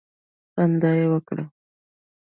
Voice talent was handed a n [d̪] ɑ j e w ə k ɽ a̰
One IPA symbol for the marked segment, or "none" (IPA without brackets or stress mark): d̪